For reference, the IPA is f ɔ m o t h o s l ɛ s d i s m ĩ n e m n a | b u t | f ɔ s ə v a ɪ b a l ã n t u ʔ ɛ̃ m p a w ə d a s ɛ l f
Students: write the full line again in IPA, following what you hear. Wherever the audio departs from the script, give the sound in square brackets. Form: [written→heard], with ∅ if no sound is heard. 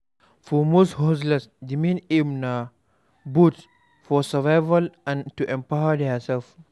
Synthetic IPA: f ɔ m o [t→s] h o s l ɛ s d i [s→∅] m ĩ n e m n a | b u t | f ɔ s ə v a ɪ [b→v] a l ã n t u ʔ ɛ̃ m p a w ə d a s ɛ l f